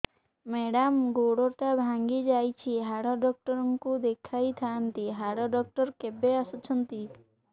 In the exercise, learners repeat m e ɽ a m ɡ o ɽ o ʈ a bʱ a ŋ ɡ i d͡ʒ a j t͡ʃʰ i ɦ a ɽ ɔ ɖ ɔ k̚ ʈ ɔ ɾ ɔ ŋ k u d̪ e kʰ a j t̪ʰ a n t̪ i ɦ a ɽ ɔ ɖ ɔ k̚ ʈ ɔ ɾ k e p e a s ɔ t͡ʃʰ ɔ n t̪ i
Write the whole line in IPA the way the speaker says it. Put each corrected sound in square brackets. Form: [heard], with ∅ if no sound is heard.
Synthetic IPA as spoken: m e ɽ a m ɡ o ɽ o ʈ a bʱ a ŋ ɡ i d͡ʒ a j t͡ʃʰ i ɦ a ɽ ɔ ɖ ɔ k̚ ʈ ɔ ɾ ɔ ŋ k u d̪ e kʰ a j t̪ʰ a n t̪ i ɦ a ɽ ɔ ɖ ɔ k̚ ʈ ɔ ɾ k e [b] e a s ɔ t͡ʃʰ ɔ n t̪ i